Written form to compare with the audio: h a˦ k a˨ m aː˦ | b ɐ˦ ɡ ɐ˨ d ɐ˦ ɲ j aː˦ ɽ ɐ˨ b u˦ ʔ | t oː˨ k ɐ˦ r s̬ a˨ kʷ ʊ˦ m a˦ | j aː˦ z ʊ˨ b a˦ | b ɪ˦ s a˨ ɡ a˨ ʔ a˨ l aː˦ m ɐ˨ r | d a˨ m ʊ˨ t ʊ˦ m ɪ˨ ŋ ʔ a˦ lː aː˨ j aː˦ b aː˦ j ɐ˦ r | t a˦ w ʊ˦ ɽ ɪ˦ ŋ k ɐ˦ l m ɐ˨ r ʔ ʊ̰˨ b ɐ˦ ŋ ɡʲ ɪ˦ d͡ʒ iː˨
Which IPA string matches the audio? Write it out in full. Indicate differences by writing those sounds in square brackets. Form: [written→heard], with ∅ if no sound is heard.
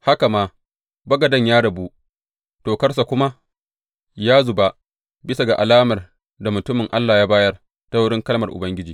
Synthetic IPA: h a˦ k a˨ m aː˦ | b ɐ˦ ɡ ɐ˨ d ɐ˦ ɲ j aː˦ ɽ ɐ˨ b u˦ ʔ | t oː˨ k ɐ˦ r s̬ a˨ kʷ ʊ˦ m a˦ | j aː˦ z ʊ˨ b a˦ | b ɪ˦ s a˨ ɡ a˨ ʔ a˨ l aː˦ m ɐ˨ r | d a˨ m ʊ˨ t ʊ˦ m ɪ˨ ŋ ʔ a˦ lː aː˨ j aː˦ b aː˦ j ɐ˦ r | t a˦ w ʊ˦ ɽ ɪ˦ ŋ k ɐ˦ l m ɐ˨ r ʔ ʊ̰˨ b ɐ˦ ŋ ɡʲ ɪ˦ d͡ʒ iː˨